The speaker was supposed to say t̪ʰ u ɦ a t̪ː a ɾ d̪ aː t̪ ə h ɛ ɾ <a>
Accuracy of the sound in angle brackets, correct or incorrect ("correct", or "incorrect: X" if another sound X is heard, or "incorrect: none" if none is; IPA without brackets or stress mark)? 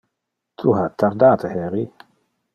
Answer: incorrect: i